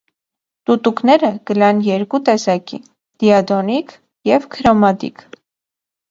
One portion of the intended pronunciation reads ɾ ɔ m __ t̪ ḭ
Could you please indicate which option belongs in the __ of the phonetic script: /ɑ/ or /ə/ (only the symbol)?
ɑ